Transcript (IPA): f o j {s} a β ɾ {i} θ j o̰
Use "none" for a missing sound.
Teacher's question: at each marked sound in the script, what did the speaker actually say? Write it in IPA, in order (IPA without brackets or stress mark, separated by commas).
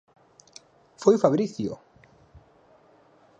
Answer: f, i